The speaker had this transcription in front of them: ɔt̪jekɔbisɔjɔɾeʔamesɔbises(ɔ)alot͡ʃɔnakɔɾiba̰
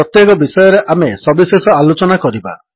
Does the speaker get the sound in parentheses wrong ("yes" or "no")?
no